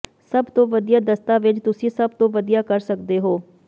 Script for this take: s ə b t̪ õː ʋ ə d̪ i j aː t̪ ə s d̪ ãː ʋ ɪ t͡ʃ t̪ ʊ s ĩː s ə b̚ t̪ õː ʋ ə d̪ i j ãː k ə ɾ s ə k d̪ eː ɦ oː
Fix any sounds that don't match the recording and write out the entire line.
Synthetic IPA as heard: s ə b t̪ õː ʋ ə d̪ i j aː d̪ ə s t̪ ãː ʋ ɪ t͡ʃ t̪ ʊ s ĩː s ə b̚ t̪ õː ʋ ə d̪ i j aː k ə ɾ s ə k d̪ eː ɦ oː